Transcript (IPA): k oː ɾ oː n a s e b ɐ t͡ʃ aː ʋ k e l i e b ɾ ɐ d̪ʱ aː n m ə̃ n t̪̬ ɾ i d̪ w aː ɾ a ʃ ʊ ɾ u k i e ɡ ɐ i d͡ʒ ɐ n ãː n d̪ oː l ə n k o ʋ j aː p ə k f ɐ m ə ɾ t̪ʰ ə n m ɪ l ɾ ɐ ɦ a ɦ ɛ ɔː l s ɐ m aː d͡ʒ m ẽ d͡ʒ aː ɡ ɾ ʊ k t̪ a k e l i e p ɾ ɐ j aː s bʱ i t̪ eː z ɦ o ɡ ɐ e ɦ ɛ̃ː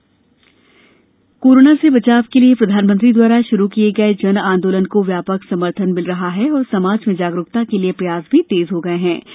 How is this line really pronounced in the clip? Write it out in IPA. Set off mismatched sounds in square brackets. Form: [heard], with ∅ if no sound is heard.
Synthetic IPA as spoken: k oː ɾ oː n a s e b ɐ t͡ʃ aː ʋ k e l i e [p] ɾ ɐ d̪ʱ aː n m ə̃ n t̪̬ ɾ i d̪ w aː ɾ a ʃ ʊ ɾ u k i e ɡ ɐ [e] d͡ʒ ɐ n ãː n d̪ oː l ə n k o ʋ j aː p ə k [s] ɐ m ə ɾ t̪ʰ ə n m ɪ l ɾ ɐ ɦ a ɦ ɛ ɔː [ɾ] s ɐ m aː d͡ʒ m ẽ d͡ʒ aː ɡ ɾ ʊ k t̪ a k e l i e p ɾ ɐ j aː s bʱ i t̪ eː z ɦ o ɡ ɐ e ɦ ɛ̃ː